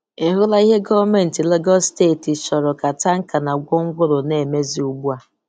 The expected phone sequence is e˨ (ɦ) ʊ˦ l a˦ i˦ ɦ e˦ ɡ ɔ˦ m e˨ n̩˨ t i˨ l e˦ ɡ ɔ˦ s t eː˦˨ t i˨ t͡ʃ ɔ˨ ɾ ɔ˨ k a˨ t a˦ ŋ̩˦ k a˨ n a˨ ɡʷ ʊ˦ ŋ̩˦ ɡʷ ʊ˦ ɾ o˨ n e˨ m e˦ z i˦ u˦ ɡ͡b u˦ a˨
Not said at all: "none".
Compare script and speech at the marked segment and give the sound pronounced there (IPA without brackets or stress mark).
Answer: ɦ